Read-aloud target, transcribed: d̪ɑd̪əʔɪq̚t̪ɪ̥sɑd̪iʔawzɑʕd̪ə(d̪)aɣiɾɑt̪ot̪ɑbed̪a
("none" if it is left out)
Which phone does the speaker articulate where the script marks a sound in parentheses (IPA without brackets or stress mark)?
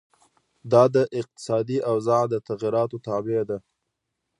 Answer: t̪